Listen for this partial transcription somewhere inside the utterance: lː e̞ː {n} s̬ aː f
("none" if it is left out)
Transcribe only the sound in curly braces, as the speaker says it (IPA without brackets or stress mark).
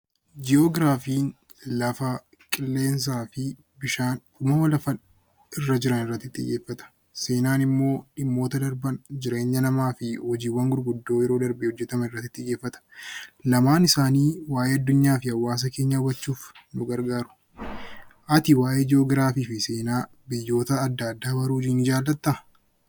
n